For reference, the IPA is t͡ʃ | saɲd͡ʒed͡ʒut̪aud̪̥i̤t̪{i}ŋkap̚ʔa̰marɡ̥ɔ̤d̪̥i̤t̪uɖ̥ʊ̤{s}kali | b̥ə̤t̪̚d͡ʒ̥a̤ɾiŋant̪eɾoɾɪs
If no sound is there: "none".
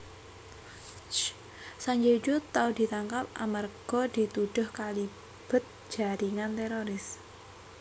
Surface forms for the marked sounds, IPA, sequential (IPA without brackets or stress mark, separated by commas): a, h